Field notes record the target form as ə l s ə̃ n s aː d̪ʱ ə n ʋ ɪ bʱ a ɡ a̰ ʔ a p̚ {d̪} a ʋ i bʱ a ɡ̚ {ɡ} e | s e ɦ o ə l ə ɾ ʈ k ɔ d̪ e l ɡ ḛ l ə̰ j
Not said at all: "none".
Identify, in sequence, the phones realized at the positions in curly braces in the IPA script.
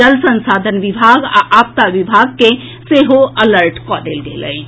t̪, k

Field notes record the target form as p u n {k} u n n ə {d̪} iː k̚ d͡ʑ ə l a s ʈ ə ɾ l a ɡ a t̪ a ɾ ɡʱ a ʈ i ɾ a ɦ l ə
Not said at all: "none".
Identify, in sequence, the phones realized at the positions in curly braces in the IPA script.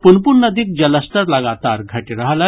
p, d̪

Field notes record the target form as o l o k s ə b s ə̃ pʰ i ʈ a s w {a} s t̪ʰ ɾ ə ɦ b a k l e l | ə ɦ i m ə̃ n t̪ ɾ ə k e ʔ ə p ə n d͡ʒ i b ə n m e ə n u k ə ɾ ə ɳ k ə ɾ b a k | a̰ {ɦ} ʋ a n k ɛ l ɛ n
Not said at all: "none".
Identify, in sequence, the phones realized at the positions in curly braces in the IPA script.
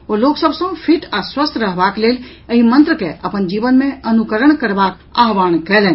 ə, ɦ

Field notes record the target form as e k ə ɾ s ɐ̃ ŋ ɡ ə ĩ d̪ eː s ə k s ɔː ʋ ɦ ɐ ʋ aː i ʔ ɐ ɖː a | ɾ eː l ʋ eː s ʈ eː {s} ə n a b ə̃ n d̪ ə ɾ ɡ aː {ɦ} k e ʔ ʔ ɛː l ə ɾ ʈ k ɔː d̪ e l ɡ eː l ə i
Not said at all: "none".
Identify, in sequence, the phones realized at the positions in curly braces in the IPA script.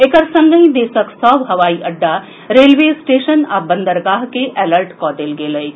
ʃ, ɦ

